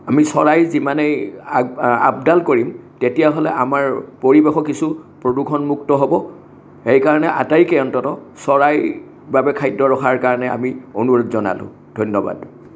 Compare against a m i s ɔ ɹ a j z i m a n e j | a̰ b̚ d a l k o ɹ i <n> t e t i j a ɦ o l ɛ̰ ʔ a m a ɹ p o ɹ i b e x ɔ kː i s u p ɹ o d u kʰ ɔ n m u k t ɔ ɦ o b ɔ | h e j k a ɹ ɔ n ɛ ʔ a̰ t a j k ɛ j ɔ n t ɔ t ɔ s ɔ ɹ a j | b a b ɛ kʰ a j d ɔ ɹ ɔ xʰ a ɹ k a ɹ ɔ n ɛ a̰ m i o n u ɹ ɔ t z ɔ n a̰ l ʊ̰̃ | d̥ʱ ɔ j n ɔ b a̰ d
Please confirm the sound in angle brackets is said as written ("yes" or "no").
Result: no